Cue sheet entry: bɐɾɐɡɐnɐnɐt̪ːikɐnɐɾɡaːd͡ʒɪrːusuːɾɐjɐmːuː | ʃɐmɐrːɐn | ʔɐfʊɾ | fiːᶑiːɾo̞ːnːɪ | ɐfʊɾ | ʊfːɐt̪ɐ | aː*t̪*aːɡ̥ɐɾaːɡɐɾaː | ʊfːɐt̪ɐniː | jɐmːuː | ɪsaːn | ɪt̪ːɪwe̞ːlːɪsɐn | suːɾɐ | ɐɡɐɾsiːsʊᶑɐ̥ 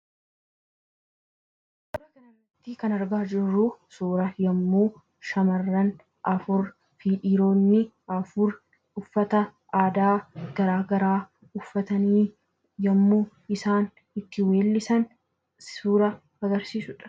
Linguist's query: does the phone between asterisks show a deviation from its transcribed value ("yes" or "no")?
yes